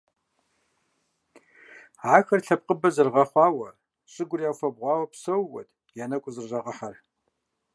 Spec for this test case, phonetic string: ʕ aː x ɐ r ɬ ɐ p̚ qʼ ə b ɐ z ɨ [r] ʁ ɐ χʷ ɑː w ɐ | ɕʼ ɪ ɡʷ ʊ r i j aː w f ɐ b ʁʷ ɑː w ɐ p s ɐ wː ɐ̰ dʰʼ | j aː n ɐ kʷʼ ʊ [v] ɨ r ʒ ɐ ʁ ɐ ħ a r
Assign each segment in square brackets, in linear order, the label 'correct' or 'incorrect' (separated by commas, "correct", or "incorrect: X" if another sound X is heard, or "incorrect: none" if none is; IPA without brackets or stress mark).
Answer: correct, incorrect: z